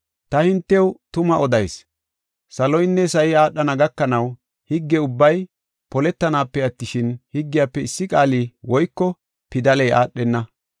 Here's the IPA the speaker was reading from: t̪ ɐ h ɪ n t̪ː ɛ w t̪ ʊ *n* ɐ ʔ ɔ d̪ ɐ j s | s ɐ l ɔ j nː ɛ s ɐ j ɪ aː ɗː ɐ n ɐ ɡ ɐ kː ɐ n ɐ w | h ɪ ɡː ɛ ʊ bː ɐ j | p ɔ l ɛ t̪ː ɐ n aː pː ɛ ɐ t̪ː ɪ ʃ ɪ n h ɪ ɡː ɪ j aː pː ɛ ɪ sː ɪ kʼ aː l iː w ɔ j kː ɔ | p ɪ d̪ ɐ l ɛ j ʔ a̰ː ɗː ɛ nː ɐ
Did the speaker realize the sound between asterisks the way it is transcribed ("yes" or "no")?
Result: no